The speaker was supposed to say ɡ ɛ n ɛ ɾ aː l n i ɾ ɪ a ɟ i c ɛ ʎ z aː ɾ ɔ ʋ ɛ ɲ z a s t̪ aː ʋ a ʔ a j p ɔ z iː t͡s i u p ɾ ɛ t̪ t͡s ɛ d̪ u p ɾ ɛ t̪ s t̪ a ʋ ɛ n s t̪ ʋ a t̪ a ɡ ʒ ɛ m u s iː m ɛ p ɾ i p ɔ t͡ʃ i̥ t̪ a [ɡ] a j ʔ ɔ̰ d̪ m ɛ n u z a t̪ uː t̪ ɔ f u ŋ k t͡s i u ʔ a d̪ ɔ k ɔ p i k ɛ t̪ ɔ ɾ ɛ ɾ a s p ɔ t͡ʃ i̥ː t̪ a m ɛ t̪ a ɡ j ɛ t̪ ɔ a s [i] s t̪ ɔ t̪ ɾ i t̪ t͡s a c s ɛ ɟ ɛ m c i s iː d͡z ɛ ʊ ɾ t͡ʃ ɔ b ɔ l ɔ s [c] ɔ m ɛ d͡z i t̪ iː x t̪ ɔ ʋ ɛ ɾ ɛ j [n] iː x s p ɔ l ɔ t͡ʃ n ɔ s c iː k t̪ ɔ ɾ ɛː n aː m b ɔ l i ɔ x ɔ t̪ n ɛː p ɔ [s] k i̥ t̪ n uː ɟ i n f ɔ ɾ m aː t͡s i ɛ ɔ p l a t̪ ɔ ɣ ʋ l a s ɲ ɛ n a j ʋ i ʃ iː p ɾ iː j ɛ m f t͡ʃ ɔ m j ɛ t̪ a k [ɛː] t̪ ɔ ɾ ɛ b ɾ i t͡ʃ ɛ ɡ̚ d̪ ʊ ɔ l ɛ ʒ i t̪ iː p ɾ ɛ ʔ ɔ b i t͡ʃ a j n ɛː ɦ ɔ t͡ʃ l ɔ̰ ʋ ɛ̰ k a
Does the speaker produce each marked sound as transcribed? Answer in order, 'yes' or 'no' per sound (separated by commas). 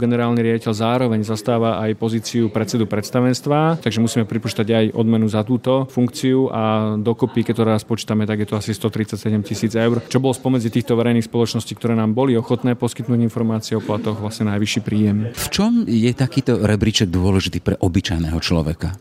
no, yes, no, yes, yes, no